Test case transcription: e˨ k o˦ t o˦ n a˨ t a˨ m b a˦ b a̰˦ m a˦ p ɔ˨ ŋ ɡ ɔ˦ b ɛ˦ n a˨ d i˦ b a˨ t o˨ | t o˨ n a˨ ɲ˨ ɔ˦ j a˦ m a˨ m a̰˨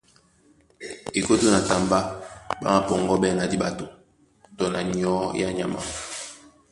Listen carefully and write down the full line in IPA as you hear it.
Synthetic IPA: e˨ k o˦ t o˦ n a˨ t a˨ m b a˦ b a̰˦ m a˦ p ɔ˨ ŋ ɡ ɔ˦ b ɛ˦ n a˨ d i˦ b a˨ t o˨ | t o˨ n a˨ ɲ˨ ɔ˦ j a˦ ɲ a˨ m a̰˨